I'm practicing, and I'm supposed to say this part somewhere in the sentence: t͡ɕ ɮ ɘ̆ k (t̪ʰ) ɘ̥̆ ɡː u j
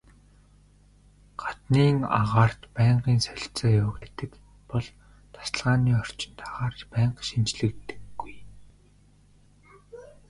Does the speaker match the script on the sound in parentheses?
no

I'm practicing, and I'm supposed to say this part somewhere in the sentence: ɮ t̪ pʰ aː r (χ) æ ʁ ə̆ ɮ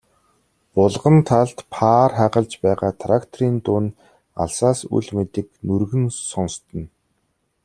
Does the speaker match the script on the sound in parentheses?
yes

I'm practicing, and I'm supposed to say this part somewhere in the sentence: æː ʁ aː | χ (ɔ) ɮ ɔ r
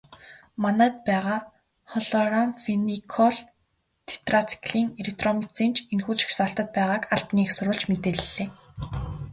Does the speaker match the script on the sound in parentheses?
yes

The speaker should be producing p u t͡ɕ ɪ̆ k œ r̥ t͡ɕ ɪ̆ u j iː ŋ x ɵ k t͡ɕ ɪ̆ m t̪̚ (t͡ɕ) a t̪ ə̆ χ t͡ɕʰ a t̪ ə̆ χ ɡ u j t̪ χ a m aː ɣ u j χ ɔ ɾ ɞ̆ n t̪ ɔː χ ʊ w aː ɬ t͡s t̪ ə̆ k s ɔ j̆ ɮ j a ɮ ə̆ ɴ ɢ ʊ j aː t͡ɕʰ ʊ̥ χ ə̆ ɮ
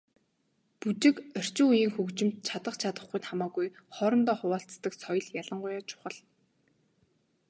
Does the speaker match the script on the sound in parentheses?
no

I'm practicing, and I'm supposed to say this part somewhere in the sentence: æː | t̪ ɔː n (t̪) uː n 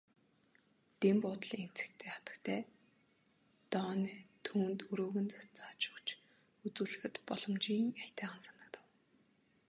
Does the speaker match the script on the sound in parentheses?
no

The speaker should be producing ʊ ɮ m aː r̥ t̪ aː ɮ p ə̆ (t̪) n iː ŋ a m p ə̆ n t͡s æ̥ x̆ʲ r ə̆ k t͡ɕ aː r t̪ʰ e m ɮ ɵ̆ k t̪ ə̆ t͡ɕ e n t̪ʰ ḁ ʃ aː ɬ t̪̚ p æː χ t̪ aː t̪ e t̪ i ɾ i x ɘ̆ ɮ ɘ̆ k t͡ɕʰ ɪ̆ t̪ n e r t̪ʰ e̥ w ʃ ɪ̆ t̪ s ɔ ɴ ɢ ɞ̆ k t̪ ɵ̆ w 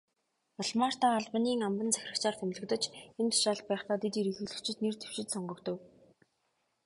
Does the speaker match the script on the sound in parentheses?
no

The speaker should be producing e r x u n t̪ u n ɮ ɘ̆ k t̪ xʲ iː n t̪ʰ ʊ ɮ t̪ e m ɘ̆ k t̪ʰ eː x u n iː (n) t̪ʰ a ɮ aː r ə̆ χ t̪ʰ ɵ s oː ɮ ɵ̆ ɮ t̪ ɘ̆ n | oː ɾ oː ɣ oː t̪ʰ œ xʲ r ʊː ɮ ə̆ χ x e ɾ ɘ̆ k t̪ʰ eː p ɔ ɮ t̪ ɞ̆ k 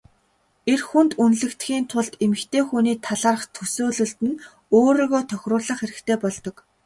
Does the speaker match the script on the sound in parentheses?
no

